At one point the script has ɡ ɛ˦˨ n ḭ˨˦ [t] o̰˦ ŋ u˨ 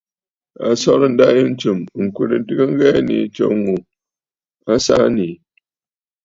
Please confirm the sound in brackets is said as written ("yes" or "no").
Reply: no